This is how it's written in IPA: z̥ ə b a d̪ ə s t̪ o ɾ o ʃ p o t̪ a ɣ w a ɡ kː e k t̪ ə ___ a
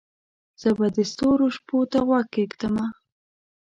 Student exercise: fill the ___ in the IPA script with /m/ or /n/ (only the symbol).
m